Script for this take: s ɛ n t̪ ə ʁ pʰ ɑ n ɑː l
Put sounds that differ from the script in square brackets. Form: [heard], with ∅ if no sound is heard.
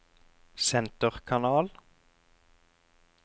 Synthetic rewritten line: s ɛ n t̪ ə ʁ [kʰ] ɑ n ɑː l